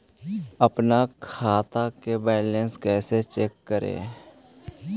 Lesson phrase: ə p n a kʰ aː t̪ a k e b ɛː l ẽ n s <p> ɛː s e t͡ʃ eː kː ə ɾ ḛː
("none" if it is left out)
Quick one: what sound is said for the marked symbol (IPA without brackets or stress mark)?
k